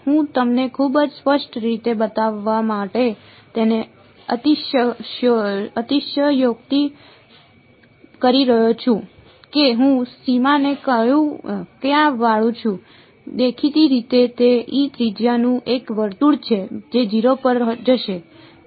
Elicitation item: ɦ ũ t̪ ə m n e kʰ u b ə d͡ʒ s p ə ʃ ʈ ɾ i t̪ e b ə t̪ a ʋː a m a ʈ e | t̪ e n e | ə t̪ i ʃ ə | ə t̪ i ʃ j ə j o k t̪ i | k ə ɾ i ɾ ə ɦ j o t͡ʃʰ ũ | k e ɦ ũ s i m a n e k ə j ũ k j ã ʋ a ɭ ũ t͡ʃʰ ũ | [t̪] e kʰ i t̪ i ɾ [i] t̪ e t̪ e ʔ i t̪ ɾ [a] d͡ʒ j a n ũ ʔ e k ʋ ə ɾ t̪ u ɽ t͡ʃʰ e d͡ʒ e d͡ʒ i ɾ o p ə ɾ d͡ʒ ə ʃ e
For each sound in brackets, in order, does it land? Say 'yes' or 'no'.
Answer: no, yes, no

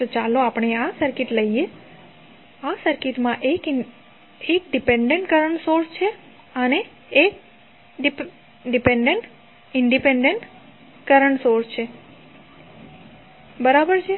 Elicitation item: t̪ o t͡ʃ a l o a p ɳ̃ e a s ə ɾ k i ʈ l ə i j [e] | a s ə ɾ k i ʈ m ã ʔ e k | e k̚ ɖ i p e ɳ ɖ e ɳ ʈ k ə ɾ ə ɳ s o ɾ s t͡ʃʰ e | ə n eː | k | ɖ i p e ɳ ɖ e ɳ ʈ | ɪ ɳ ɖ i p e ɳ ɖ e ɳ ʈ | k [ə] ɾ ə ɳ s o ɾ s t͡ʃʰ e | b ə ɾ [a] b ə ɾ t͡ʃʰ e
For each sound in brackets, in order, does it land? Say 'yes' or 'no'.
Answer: yes, yes, yes

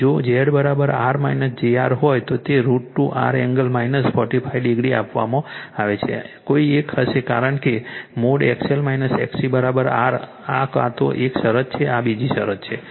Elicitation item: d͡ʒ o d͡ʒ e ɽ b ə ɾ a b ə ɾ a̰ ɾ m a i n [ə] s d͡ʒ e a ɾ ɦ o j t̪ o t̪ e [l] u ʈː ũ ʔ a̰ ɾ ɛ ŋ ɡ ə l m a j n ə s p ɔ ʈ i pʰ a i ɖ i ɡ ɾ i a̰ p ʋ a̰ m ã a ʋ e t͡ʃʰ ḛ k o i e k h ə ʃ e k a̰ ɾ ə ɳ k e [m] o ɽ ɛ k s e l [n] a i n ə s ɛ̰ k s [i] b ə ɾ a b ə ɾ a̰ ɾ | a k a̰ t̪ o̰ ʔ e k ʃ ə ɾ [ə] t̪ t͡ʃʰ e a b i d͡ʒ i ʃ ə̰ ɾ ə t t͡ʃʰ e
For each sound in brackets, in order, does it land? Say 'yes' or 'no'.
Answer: yes, no, yes, no, yes, yes

